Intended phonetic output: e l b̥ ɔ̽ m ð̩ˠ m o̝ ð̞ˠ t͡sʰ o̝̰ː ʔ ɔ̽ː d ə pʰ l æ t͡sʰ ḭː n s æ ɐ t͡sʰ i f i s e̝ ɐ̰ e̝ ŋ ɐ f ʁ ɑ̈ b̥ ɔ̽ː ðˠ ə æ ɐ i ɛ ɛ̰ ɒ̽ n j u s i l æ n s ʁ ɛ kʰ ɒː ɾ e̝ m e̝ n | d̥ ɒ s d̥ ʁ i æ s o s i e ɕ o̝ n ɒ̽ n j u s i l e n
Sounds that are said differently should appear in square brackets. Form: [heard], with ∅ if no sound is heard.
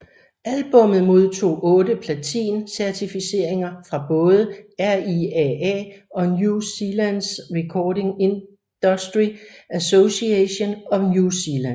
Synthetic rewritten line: [æ] l b̥ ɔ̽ m ð̩ˠ m o̝ ð̞ˠ t͡sʰ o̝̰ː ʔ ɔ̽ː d ə pʰ l æ t͡sʰ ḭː n s æ ɐ t͡sʰ i f i s e̝ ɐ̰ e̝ ŋ ɐ f ʁ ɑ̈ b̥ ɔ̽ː ðˠ ə æ ɐ i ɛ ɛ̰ ɒ̽ n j u s i l æ n s ʁ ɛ kʰ ɒː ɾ e̝ [ŋ] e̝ n | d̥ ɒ s d̥ ʁ i æ s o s i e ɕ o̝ n ɒ̽ n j u s i l [æ] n